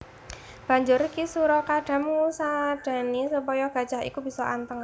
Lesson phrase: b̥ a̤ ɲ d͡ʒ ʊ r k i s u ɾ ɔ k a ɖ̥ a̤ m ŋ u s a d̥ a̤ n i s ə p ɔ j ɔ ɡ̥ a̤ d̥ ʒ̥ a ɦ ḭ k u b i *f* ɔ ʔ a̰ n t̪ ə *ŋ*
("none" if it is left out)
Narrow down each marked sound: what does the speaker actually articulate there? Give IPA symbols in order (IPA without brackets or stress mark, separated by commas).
s, ŋ